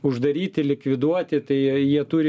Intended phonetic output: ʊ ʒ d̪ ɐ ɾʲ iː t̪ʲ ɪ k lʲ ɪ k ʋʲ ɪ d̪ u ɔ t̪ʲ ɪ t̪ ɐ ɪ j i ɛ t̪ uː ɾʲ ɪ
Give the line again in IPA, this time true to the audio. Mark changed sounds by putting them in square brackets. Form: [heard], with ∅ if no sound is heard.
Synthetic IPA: ʊ ʒ d̪ ɐ ɾʲ iː t̪ʲ ɪ [∅] lʲ ɪ k ʋʲ ɪ d̪ u ɔ t̪ʲ ɪ t̪ ɐ ɪ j i ɛ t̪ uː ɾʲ ɪ